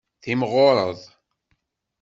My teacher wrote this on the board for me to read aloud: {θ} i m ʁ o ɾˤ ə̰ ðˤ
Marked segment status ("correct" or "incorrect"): correct